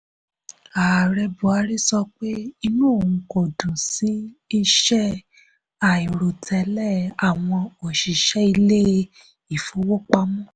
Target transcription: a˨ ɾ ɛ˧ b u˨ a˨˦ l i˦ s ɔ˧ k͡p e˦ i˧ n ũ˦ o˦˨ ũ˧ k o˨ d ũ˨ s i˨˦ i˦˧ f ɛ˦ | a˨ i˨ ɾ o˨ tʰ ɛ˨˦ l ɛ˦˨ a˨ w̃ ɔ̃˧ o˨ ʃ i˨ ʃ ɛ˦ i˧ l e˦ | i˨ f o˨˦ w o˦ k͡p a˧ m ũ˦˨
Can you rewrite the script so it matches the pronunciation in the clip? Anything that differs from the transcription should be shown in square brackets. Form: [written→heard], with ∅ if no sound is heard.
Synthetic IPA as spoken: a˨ ɾ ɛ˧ b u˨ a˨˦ [l→ɾ] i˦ s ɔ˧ k͡p e˦ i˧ n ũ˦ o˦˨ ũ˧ k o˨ d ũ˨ s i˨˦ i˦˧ [f→ʃ] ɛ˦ | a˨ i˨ ɾ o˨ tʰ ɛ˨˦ l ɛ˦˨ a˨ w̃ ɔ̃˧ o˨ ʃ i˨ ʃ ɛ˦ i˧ l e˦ | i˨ f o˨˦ w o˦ k͡p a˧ m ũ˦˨